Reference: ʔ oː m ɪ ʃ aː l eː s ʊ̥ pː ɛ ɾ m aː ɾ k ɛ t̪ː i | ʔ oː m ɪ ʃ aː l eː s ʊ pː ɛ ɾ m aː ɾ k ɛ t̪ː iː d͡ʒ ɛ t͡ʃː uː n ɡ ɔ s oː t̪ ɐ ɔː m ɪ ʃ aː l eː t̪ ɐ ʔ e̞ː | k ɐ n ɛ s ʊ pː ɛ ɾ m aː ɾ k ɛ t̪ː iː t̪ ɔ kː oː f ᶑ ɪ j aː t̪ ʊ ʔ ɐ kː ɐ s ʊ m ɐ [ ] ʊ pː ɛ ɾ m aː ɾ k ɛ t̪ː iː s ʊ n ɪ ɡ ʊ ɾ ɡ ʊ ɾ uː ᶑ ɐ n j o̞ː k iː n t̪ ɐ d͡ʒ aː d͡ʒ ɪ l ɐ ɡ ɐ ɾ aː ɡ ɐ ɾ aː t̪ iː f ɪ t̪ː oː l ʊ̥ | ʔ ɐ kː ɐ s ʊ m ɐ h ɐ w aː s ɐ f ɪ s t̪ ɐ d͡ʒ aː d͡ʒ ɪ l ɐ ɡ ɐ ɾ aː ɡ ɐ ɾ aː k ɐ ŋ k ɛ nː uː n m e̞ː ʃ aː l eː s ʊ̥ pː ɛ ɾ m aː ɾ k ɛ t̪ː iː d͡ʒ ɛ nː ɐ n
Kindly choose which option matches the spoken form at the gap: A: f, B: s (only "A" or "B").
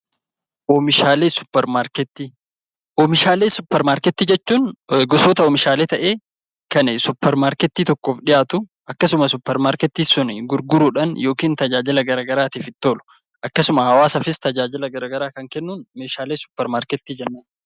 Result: B